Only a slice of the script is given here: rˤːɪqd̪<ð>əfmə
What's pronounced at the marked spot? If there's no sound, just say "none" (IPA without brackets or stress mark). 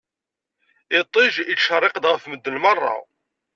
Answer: ʁ